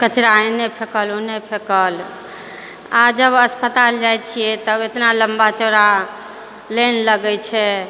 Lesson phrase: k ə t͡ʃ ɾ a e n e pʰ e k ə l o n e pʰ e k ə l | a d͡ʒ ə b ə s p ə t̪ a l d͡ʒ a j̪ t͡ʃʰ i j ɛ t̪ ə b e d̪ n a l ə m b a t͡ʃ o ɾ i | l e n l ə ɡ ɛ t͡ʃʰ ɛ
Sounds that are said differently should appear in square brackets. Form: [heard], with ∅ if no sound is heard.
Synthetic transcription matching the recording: k ə t͡ʃ ɾ a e n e pʰ e k ə l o n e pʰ e k ə l | a d͡ʒ ə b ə s p ə t̪ a l d͡ʒ a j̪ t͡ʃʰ i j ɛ t̪ ə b e [t̪] n a l ə m b a t͡ʃ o ɾ [a] | l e n l ə ɡ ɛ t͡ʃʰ ɛ

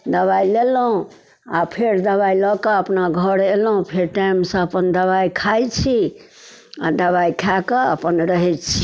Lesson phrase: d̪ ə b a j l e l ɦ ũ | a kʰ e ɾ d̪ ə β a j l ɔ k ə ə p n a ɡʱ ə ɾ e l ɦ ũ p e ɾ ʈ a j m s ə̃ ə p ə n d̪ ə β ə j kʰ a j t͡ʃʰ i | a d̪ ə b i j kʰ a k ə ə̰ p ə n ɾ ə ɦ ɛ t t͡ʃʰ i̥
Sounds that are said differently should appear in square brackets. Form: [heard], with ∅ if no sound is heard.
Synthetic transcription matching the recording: d̪ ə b a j l e l ɦ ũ | a [pʰ] e ɾ d̪ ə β a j l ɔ k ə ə p n a ɡʱ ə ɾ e l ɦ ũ [pʰ] e ɾ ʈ a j m s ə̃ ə p ə n d̪ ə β [a] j kʰ a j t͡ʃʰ i | a d̪ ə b [a] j kʰ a k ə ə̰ p ə n ɾ ə ɦ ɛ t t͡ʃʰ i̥

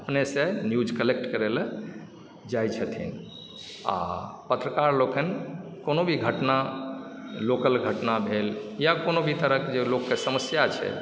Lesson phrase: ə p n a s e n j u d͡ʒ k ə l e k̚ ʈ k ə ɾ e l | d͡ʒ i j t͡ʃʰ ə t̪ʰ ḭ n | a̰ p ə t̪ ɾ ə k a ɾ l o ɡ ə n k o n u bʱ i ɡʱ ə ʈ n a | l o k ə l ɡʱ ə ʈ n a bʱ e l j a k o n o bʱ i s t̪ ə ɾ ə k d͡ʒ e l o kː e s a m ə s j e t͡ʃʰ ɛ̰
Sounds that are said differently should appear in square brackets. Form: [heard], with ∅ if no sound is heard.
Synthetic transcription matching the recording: ə p n [e] s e n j u d͡ʒ k ə l e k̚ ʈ k ə ɾ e l | d͡ʒ [a] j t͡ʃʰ ə t̪ʰ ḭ n | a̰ p ə t̪ ɾ ə k a ɾ l o [k] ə n k o n [o] bʱ i ɡʱ ə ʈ n a | l o k ə l ɡʱ ə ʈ n a bʱ e l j a k o n o bʱ i [∅] t̪ ə ɾ ə k d͡ʒ e l o kː e s [ə] m ə s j [a] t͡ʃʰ ɛ̰

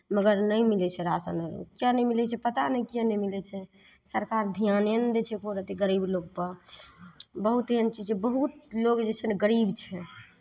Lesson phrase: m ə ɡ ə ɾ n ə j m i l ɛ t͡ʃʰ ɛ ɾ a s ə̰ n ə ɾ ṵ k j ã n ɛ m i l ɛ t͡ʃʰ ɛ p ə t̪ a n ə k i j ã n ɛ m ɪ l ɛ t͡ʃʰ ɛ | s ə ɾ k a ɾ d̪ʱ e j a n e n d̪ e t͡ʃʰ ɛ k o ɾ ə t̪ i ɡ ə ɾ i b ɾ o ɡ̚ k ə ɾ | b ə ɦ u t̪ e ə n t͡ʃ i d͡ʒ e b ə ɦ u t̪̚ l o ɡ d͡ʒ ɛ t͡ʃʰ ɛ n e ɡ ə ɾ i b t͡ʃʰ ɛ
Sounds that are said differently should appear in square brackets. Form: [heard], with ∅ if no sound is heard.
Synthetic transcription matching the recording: m ə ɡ ə ɾ n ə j m i l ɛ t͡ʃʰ ɛ ɾ a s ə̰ n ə ɾ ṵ k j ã n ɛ m i l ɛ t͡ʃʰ ɛ p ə t̪ a n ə k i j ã n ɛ m [i] l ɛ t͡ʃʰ ɛ | s ə ɾ k a ɾ d̪ʱ [i] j a n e n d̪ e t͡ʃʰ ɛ k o ɾ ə t̪ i ɡ ə ɾ i b [l] o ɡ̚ [p] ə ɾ | b ə ɦ u t̪ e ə n t͡ʃ i d͡ʒ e b ə ɦ u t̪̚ l o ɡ d͡ʒ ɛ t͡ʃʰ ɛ n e ɡ ə ɾ i b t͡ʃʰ ɛ

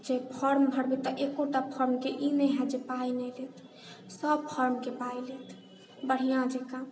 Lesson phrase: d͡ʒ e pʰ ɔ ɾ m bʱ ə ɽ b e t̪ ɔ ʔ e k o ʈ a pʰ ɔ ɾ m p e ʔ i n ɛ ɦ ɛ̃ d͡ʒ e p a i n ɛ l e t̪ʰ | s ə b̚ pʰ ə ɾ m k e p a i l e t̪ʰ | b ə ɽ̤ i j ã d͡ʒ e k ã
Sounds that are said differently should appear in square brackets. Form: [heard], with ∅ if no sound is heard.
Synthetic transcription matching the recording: d͡ʒ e pʰ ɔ ɾ m bʱ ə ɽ b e t̪ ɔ ʔ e k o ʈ a pʰ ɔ ɾ m [k] e ʔ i n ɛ ɦ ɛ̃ d͡ʒ e p a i n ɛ l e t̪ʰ | s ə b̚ pʰ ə ɾ m k e p a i l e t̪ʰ | b ə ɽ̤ i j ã d͡ʒ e k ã

